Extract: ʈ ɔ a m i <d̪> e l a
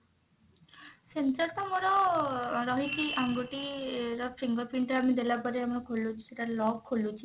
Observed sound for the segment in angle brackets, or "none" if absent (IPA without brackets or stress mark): d̪